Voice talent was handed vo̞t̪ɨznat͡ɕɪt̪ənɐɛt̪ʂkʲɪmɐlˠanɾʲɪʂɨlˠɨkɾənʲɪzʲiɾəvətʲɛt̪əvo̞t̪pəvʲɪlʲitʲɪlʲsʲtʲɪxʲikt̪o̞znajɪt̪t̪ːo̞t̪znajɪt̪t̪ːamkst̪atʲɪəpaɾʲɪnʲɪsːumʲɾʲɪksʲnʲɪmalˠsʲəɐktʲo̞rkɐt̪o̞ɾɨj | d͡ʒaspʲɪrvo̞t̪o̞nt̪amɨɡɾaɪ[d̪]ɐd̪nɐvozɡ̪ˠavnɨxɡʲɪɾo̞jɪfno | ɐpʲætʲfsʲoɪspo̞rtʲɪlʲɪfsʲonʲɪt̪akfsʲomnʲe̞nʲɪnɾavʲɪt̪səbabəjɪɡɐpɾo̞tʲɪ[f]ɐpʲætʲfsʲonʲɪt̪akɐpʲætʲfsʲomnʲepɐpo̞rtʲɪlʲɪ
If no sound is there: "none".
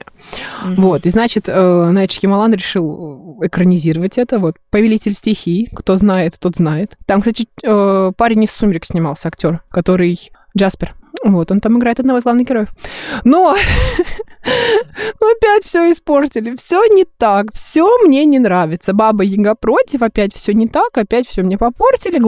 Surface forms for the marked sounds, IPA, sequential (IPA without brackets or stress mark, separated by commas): t̪, f